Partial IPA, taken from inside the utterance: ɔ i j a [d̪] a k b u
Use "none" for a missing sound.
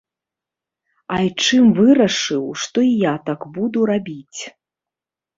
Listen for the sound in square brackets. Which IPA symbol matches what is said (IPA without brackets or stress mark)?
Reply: t̪